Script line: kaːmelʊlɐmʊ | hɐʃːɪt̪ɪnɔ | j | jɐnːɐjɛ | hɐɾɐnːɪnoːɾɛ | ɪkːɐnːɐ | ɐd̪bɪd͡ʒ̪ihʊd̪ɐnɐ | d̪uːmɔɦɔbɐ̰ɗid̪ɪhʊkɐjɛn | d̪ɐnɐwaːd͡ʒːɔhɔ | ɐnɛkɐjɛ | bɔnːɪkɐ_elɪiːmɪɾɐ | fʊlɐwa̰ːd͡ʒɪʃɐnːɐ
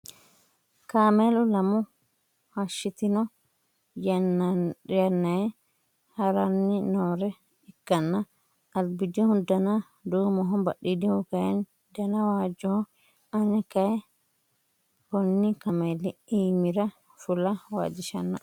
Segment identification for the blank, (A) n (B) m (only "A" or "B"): B